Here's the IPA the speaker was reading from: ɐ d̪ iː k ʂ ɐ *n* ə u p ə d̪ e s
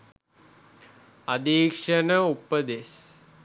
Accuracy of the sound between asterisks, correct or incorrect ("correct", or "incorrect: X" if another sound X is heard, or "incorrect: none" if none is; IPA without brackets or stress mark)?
correct